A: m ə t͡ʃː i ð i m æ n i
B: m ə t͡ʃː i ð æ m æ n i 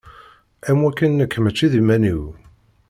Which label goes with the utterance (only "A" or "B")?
A